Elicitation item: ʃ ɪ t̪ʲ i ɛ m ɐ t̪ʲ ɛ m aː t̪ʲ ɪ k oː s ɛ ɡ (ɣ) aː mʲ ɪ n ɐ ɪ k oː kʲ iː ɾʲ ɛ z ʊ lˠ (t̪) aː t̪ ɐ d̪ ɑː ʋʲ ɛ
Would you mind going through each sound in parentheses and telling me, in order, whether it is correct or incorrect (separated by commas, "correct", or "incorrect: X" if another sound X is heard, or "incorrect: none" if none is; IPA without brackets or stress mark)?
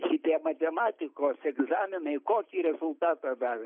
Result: incorrect: z, correct